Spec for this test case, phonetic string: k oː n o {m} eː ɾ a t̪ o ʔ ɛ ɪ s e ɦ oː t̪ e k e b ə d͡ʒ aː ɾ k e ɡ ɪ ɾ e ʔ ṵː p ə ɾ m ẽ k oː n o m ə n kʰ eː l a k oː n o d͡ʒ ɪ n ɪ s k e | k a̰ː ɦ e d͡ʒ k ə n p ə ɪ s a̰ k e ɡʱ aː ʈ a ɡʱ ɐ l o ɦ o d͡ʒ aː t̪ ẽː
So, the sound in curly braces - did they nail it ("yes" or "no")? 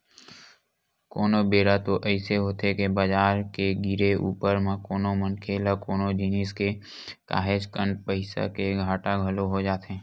no